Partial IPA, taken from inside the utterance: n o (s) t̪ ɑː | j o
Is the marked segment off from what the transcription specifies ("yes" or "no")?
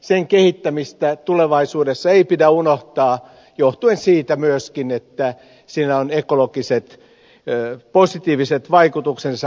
yes